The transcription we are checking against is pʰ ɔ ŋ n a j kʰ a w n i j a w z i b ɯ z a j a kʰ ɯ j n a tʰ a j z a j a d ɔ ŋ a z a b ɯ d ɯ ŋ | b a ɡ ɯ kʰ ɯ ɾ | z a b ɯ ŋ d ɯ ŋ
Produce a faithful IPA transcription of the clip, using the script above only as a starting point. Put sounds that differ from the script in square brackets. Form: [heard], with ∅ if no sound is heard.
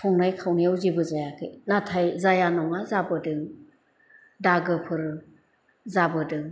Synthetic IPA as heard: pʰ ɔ ŋ n a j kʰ a w n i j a w z i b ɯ z a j a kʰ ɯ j n a tʰ a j z a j a [n] ɔ ŋ a z a b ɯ d ɯ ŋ | [d] a ɡ ɯ [pʰ] ɯ ɾ | z a b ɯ [∅] d ɯ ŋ

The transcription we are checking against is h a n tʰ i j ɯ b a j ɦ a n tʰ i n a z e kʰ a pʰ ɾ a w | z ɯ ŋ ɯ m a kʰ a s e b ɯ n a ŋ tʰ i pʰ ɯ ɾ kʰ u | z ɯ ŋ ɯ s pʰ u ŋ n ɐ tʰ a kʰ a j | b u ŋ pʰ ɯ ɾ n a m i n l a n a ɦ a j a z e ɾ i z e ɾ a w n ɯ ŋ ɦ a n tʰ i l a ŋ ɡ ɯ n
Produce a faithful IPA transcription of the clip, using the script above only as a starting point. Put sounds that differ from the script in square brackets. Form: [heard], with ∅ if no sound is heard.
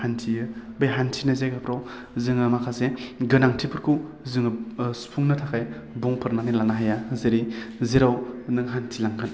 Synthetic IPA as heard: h a n tʰ i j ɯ b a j ɦ a n tʰ i n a z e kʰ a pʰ ɾ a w | z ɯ ŋ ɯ m a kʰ a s e [ɡ] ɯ n a ŋ tʰ i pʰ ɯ ɾ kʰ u | z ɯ ŋ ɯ s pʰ u ŋ n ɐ tʰ a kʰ a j | b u ŋ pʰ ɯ ɾ n a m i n l a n a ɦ a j a z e ɾ i z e ɾ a w n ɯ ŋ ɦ a n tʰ i l a ŋ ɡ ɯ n

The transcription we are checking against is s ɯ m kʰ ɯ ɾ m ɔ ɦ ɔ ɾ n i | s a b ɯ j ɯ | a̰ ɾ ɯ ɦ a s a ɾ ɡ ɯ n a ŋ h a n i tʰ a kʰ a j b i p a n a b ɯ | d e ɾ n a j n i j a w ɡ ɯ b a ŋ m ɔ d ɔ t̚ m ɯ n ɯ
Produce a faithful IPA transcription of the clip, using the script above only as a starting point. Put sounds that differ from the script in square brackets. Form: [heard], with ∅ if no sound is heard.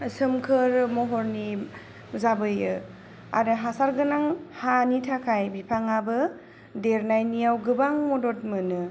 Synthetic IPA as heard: s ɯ m kʰ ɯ ɾ m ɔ ɦ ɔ ɾ n i | [z] a b ɯ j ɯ | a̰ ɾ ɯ ɦ a s a ɾ ɡ ɯ n a ŋ h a n i tʰ a kʰ a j b i [pʰ] a [ŋ] a b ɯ | d e ɾ n a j n i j a w ɡ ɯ b a ŋ m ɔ d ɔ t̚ m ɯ n ɯ

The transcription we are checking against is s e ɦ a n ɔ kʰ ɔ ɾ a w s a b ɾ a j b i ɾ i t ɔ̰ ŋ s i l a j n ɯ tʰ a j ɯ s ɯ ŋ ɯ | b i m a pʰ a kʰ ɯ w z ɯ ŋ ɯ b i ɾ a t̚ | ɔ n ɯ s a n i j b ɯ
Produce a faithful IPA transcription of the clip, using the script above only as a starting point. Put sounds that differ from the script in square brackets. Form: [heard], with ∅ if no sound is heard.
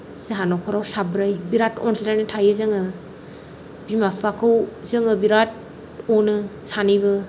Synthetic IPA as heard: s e ɦ a n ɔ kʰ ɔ ɾ a w s a b ɾ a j b i ɾ [a] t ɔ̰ [n] s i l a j n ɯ tʰ a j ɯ [z] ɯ ŋ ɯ | b i m a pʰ a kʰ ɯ w z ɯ ŋ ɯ b i ɾ a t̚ | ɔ n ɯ s a n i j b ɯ

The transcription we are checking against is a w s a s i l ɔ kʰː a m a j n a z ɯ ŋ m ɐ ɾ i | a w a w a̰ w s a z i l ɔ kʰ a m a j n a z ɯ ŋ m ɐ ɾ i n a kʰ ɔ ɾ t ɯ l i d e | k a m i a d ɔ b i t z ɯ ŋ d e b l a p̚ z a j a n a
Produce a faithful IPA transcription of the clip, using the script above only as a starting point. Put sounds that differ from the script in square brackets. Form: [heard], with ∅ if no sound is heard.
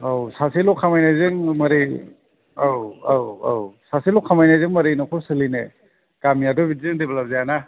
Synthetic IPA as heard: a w s a s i l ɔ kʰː a m a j n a z ɯ ŋ m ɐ ɾ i | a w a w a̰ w s a [s] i l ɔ kʰ a m a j n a z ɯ ŋ m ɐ ɾ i n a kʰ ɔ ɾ [s] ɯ l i [n] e | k a m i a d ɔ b i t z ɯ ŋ d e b l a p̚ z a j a n a

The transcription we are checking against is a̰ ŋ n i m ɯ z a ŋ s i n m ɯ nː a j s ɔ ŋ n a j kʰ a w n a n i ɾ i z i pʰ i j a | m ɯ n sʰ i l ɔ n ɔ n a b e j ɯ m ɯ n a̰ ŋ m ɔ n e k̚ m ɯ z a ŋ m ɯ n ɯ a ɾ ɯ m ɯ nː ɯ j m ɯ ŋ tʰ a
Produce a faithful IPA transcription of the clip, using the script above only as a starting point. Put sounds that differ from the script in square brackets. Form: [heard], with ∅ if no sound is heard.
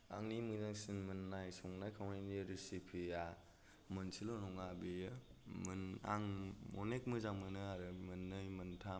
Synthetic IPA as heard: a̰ ŋ n i m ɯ z a ŋ s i n m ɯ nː a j s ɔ ŋ n a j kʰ a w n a n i ɾ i [s] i pʰ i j a | m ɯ n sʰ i l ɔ n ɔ [ŋ] a b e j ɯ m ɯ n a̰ ŋ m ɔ n e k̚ m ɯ z a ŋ m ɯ n ɯ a ɾ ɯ m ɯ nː ɯ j m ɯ [n] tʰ a

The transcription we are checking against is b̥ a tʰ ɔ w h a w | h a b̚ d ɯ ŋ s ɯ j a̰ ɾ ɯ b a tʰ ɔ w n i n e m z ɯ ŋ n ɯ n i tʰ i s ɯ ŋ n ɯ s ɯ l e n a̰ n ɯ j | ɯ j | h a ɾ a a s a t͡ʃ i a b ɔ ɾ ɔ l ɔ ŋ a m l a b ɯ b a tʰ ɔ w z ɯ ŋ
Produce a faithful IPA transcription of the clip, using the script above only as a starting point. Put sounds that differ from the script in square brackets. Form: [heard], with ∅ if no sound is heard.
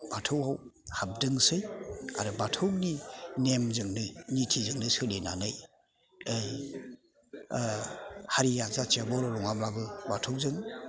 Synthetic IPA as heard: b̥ a tʰ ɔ w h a w | h a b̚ d ɯ ŋ s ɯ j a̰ ɾ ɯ b a tʰ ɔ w n i n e m z ɯ ŋ n ɯ n i tʰ i [z] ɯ ŋ n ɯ s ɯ l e n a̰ n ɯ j | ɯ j | h a ɾ [i] a [z] a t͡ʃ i a b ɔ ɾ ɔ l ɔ ŋ a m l a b ɯ b a tʰ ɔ w z ɯ ŋ

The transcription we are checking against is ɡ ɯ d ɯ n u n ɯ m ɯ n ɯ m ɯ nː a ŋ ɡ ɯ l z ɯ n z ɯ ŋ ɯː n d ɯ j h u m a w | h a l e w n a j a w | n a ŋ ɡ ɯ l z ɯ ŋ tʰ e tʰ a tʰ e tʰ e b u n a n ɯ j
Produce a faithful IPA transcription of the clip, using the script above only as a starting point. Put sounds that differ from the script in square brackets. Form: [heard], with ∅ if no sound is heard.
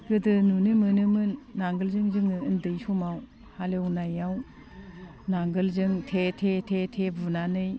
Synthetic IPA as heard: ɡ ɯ d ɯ n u n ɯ m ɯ n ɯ m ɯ nː a ŋ ɡ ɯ l z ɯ [ŋ] z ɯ ŋ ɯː n d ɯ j [s] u m a w | h a l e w n a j a w | n a ŋ ɡ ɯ l z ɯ ŋ tʰ e tʰ [e] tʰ e tʰ e b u n a n ɯ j

